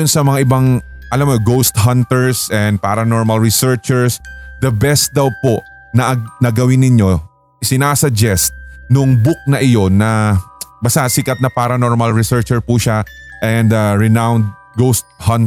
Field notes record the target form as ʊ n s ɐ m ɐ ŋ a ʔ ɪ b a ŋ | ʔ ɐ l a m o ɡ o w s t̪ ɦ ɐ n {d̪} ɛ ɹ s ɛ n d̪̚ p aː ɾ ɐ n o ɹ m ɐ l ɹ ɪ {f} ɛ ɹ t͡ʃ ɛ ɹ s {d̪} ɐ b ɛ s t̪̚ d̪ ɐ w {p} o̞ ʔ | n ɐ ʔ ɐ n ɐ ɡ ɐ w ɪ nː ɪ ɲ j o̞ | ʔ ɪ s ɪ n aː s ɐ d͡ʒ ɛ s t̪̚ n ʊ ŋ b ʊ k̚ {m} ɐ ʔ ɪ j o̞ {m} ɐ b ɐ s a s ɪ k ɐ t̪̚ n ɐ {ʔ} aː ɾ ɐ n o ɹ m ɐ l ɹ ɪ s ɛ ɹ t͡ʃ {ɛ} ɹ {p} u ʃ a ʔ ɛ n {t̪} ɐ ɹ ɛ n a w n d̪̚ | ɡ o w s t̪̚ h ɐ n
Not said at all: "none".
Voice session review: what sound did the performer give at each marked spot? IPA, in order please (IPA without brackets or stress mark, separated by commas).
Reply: t̪, s, d̪, p, n, n, p, ɛ, p, d̪